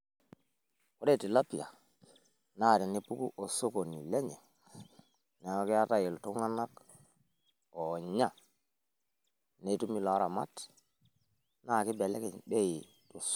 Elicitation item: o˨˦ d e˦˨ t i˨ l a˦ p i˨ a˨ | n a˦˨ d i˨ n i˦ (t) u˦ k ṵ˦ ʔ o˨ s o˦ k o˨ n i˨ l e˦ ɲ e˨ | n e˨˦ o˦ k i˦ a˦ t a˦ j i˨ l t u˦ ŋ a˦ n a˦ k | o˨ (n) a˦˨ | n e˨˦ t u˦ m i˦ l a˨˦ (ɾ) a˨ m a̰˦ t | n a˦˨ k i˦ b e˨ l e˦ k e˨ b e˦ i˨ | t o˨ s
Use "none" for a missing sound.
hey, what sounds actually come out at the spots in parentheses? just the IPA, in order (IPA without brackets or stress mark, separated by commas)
p, ɲ, ɾ